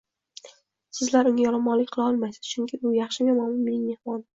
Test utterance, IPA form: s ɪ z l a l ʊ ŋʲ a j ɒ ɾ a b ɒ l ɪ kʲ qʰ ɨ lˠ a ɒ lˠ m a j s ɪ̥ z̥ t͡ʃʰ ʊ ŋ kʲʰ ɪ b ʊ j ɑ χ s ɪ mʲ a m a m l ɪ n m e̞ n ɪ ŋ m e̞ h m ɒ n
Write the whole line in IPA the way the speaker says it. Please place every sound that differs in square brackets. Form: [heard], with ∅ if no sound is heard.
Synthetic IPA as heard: s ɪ z l a [ɾ] ʊ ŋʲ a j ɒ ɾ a [m] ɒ l ɪ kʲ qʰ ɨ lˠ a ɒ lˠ m a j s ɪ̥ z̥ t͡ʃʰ ʊ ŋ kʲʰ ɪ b ʊ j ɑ χ [ʃ] ɪ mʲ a m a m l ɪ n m e̞ n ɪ ŋ m e̞ h m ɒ n